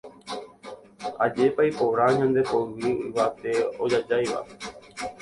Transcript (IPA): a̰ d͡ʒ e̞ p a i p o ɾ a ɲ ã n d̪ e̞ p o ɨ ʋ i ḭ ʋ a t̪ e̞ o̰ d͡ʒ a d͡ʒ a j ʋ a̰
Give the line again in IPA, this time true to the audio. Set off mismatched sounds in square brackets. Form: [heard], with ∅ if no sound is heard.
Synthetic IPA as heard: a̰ d͡ʒ e̞ p a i p o ɾ a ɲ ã n d̪ e̞ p o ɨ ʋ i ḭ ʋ a t̪ e̞ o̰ d͡ʒ a d͡ʒ a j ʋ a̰